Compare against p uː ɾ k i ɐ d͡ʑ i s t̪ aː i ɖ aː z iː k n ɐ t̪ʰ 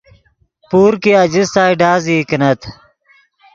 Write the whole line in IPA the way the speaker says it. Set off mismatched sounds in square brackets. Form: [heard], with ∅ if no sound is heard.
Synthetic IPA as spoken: p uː ɾ k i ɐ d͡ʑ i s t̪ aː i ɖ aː z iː k n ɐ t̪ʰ